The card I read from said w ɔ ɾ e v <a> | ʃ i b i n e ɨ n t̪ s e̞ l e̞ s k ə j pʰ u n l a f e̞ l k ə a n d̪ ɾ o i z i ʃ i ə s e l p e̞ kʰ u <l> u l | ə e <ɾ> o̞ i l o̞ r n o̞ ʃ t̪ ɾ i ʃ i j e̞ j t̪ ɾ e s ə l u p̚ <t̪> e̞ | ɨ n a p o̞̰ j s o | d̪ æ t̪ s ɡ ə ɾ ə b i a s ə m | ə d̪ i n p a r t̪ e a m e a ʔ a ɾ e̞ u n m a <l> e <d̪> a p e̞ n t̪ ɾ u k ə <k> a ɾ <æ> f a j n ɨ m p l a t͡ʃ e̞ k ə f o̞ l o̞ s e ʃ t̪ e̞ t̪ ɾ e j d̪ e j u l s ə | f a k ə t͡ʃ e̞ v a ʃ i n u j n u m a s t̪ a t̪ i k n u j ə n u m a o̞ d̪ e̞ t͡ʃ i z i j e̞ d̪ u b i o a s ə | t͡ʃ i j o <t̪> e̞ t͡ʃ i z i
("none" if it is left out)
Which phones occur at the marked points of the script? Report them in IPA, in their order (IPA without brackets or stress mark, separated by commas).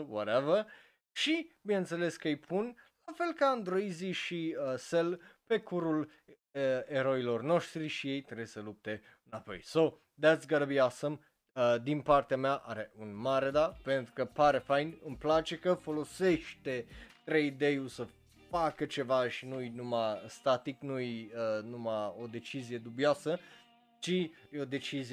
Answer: ə, ɾ, ɾ, t̪, ɾ, d̪, p, e, d̪